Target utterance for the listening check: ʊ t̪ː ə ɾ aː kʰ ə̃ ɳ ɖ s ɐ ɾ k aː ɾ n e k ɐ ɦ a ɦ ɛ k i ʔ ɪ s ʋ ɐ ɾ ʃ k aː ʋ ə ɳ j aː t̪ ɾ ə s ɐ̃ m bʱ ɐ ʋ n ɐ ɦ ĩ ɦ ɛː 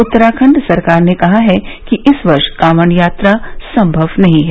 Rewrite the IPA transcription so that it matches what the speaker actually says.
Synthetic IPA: ʊ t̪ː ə ɾ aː kʰ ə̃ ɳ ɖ s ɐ ɾ k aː ɾ n e k ɐ ɦ a ɦ ɛ k i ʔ ɪ s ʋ ɐ ɾ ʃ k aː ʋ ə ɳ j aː t̪ ɾ a s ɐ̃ m bʱ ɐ ʋ n ɐ ɦ ĩ ɦ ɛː